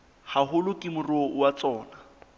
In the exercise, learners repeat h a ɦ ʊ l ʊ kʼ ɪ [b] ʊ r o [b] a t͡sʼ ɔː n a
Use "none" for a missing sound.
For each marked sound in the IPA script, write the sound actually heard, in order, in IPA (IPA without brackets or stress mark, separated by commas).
m, w